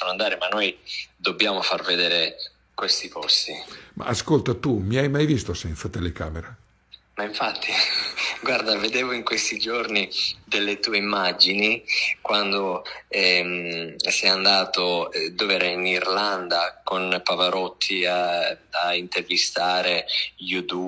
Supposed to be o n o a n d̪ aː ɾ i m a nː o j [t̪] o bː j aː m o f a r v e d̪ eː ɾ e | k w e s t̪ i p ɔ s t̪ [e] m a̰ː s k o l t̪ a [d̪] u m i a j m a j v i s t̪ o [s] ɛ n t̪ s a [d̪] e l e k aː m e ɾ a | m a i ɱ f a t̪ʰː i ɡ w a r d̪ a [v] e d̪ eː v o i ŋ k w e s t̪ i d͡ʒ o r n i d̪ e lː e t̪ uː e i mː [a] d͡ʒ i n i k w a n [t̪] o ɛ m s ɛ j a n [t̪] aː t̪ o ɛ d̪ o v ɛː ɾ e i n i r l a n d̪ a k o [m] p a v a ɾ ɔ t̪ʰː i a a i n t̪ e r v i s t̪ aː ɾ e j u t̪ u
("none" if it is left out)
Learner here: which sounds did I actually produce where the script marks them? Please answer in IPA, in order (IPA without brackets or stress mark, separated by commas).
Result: d̪, i, t̪, s, t̪, v, a, d̪, d̪, n